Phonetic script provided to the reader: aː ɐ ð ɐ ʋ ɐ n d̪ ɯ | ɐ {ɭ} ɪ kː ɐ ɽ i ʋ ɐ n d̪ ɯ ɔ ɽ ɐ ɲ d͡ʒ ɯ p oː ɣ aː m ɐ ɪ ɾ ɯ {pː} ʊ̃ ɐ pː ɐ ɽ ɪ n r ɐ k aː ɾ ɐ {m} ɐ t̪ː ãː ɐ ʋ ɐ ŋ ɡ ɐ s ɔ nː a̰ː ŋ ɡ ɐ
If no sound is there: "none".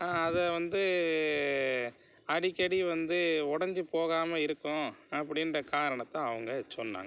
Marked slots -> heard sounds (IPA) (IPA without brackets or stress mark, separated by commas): ɽ, kː, ɳ